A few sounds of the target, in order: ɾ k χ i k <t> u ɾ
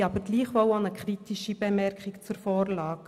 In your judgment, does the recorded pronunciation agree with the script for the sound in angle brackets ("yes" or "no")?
no